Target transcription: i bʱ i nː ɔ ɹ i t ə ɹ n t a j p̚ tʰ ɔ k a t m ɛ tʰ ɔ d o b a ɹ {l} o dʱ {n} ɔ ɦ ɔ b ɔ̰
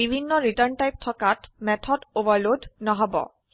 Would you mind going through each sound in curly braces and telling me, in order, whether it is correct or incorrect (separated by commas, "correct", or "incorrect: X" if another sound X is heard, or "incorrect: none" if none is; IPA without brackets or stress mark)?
correct, correct